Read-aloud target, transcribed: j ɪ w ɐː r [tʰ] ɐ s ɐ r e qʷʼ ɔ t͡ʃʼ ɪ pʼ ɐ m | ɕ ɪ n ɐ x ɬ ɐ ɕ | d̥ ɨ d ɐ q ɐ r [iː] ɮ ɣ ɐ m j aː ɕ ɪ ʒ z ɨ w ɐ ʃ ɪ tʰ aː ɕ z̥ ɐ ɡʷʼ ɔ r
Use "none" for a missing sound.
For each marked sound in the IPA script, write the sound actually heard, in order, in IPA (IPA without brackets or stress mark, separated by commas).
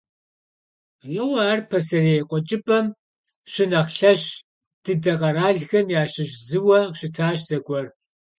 pʰ, aː